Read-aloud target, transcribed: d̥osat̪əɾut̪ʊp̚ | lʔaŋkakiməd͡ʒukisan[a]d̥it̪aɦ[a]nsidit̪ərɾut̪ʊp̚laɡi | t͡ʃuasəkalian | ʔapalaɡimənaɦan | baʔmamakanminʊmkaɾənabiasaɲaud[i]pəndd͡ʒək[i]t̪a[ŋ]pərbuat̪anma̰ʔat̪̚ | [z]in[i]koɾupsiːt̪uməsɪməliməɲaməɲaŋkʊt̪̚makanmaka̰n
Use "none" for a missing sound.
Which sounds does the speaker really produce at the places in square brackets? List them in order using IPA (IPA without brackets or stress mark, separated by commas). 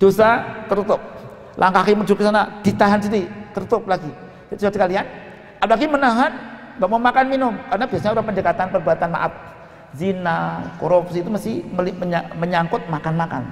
a, a, a, a, n, z, a